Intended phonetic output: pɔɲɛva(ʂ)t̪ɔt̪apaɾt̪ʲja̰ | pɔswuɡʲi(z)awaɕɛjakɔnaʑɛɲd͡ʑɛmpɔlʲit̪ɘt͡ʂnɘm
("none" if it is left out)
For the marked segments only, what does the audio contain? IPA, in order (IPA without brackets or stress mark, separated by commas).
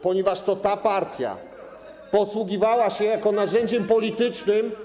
ʂ, v